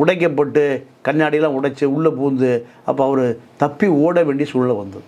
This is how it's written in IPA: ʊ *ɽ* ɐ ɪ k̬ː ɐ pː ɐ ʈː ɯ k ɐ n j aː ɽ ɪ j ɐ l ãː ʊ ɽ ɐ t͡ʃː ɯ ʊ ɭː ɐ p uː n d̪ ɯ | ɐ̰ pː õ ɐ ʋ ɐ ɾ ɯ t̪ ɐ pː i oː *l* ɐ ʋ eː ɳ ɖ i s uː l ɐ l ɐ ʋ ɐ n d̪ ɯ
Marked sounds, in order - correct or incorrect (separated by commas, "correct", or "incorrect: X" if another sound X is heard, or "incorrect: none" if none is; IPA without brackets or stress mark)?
correct, incorrect: ɽ